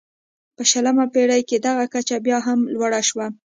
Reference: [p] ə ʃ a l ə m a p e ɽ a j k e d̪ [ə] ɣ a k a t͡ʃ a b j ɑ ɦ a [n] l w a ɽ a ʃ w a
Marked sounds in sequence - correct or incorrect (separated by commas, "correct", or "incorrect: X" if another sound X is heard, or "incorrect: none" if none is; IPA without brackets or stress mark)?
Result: correct, incorrect: a, incorrect: m